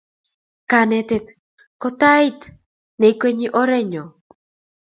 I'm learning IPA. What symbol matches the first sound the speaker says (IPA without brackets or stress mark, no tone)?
k